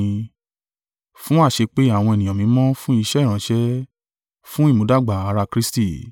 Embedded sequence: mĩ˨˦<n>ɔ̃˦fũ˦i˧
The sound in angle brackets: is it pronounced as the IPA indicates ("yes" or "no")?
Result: no